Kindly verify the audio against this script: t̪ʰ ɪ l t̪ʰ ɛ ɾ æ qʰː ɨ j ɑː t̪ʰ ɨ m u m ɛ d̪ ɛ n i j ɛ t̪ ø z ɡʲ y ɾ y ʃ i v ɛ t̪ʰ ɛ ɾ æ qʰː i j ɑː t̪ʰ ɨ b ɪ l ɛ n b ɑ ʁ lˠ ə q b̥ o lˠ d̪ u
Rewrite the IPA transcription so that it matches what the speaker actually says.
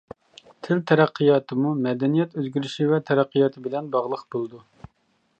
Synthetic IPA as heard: t̪ʰ ɪ l t̪ʰ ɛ ɾ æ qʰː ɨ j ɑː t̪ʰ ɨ m u m ɛ d̪ ɛ n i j ɛ t̪ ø z ɡʲ y ɾ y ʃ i v ɛ t̪ʰ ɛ ɾ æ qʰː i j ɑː t̪ʰ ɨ b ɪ l ɛ n b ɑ ʁ lˠ ə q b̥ o lˠ d̪ u